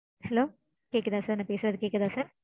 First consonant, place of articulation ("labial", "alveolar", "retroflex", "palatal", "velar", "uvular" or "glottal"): glottal